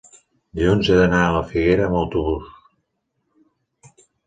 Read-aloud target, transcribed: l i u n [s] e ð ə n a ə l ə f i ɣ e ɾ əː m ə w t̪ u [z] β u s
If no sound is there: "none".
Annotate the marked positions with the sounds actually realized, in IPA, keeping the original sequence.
z, none

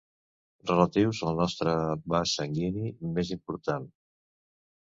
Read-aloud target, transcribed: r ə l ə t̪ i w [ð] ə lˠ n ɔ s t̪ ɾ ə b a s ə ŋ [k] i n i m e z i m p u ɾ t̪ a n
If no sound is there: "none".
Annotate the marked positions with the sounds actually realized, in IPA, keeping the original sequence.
z, ɡ

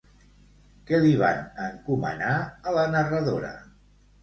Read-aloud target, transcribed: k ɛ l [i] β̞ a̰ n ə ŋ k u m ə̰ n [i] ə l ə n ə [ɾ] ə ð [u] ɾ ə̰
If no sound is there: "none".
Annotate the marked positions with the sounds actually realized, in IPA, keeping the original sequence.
i, a, r, o

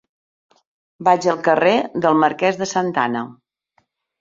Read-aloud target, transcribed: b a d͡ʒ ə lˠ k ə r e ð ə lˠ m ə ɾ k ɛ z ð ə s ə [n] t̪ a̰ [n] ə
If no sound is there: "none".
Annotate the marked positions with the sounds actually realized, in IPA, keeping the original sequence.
n, n

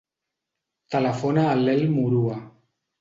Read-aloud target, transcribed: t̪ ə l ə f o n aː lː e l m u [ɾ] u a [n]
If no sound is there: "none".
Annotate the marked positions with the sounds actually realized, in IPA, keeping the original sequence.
ɾ, none

